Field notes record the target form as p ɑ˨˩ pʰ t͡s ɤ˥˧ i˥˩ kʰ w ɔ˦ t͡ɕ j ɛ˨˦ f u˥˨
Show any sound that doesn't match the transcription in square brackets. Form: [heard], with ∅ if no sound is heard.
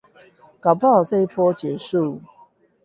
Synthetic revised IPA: [k] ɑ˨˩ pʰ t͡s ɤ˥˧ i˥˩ [pʰ] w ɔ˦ t͡ɕ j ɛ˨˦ [ʂ] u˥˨